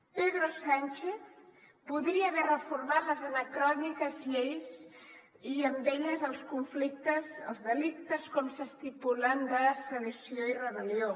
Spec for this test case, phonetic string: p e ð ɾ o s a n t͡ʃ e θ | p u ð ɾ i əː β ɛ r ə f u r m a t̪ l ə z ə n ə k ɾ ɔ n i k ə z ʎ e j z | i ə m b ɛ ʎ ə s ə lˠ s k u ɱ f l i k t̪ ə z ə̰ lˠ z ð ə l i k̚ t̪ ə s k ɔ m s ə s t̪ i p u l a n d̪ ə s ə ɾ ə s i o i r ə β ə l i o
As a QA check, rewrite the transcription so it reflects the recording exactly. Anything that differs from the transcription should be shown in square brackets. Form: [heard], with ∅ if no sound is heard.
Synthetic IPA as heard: p e ð ɾ o s a n t͡ʃ e θ | p u ð ɾ i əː β ɛ r ə f u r m a t̪ l ə z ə n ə k ɾ ɔ n i k ə z ʎ e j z | i ə m b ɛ ʎ ə [z] ə lˠ s k u ɱ f l i k t̪ ə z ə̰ lˠ z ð ə l i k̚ t̪ ə s k ɔ m s ə s t̪ i p u l a n d̪ ə s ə [l] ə s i o i r ə β ə l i o